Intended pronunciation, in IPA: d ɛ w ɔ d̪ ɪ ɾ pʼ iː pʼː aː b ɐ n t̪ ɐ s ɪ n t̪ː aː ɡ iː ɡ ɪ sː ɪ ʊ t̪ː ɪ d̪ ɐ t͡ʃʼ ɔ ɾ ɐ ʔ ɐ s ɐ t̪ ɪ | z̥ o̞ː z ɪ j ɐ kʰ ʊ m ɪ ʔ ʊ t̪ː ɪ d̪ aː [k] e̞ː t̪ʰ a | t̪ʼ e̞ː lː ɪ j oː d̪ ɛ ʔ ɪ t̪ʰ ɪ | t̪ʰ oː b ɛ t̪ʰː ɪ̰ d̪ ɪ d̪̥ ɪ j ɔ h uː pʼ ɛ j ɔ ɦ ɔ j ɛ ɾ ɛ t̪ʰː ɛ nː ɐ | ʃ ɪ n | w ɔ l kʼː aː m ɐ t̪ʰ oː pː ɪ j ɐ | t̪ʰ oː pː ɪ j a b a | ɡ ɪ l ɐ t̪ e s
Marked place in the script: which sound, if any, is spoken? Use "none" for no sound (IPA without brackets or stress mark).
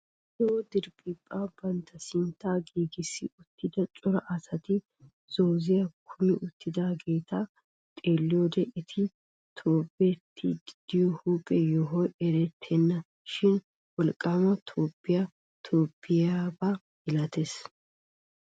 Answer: ɡ